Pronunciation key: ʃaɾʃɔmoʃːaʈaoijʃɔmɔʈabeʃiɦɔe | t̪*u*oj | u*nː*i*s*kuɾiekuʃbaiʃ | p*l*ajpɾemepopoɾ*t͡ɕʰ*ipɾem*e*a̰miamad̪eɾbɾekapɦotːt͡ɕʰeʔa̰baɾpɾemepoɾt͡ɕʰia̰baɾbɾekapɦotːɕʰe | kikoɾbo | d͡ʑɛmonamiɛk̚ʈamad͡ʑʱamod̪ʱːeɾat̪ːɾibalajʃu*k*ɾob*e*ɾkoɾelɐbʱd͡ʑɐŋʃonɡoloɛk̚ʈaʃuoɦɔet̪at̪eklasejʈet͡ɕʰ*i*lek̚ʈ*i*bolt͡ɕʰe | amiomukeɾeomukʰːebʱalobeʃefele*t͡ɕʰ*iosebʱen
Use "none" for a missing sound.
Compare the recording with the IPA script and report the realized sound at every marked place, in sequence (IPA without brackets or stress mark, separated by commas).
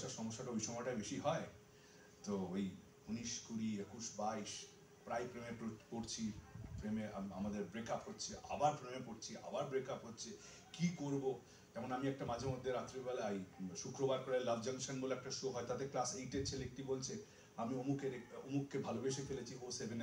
o, n, ʃ, ɾ, t͡ɕʰ, e, k, a, e, i, t͡ɕʰ